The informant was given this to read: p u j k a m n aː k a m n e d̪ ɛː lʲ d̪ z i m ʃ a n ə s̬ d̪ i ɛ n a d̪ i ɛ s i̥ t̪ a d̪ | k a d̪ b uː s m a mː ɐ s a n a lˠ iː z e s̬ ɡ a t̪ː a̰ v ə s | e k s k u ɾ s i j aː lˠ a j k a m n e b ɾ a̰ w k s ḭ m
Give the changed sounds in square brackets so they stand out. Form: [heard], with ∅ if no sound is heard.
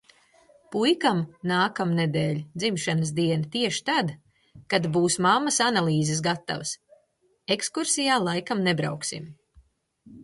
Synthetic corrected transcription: p u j k a m n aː k a m n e d̪ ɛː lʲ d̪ z i m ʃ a n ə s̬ d̪ i ɛ n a [t̪] i ɛ [ʃ] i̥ t̪ a d̪ | k a d̪ b uː s m a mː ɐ s a n a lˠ iː z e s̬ ɡ a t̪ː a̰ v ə s | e k s k u ɾ s i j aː lˠ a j k a m n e b ɾ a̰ w k s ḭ m